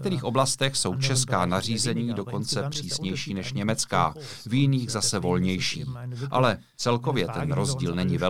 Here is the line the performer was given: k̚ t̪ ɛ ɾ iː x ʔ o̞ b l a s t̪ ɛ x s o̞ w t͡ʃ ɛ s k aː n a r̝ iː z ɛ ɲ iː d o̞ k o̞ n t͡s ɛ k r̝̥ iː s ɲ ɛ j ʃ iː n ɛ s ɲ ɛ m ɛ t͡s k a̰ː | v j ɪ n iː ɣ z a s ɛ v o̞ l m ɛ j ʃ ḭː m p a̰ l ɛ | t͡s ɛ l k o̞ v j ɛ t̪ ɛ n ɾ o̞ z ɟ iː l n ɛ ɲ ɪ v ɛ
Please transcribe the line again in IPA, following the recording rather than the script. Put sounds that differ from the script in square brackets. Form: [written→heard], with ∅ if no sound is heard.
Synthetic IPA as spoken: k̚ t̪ ɛ ɾ iː x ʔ o̞ b l a s t̪ ɛ x s o̞ w t͡ʃ ɛ s k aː n a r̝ iː z ɛ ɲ iː d o̞ k o̞ n t͡s ɛ [k→p] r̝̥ iː s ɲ ɛ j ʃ iː n ɛ [s→ʃ] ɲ ɛ m ɛ t͡s k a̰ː | v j ɪ n iː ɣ z a s ɛ v o̞ l [m→ɲ] ɛ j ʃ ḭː m [p→ʔ] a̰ l ɛ | t͡s ɛ l k o̞ v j ɛ t̪ ɛ n ɾ o̞ z ɟ iː l n ɛ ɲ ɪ v ɛ